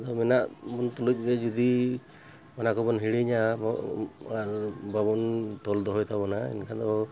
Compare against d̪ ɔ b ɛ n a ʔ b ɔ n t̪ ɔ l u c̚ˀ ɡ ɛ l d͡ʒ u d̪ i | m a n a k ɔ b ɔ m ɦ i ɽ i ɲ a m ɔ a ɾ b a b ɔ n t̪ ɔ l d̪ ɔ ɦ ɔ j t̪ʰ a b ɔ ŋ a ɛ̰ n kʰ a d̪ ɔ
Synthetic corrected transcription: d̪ ɔ m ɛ n a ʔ b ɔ n t̪ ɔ l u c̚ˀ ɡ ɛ d͡ʒ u d̪ i | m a n a k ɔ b ɔ n ɦ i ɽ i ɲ a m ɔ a ɾ b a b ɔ n t̪ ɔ l d̪ ɔ ɦ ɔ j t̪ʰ a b ɔ n a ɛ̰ n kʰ a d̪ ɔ